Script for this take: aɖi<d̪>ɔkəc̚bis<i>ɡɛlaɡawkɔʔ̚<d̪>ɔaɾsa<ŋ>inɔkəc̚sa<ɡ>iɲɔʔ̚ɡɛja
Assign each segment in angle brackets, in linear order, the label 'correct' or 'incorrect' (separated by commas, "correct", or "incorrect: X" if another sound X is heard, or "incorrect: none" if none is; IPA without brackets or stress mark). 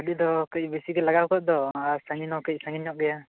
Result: correct, correct, correct, correct, incorrect: ŋ